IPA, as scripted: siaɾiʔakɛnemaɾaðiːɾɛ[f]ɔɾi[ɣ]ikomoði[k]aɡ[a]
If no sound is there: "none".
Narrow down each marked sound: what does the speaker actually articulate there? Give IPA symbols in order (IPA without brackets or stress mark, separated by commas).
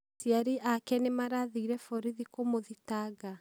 f, ð, t, a